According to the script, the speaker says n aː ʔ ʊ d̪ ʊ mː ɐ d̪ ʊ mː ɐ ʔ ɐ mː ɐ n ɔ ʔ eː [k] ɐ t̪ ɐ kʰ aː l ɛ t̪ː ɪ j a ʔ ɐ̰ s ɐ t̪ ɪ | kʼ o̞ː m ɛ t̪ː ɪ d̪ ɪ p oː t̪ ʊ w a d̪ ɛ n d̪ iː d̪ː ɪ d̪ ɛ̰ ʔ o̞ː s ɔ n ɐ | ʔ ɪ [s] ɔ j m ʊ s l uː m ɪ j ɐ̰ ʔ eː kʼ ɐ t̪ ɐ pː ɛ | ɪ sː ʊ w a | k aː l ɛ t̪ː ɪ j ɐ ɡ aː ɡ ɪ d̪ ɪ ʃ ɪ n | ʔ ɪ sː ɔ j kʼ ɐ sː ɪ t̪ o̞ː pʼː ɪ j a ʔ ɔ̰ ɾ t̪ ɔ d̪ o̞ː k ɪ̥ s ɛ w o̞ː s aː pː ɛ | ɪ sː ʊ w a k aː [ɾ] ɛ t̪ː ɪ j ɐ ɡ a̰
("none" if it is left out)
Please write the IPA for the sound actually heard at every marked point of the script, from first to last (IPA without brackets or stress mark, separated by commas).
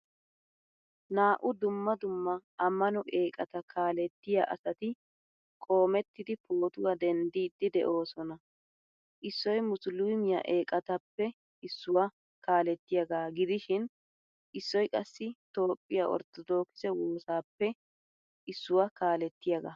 kʼ, sː, l